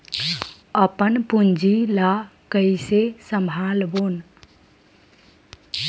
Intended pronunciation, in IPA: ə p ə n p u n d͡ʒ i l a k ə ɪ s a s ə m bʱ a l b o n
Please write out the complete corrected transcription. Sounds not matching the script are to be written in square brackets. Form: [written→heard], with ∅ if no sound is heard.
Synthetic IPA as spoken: ə p ə n p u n d͡ʒ i l a k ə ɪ s [a→e] s ə m bʱ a l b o n